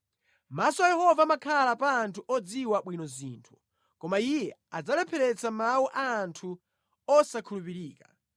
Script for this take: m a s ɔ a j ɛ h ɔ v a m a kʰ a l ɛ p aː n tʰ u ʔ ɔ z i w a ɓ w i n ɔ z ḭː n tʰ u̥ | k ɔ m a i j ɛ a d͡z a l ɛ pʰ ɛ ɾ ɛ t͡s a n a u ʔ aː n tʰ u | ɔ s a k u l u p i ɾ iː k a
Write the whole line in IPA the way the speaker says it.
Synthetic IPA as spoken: m a s ɔ a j ɛ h ɔ v a m a kʰ a l a p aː n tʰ u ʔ ɔ d͡z i w a ɓ w i n ɔ z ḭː n tʰ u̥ | k ɔ m a i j ɛ a d͡z a l ɛ pʰ ɛ ɾ ɛ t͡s a m a u ʔ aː n tʰ u | ɔ s a kʰ u l u p i ɾ iː k a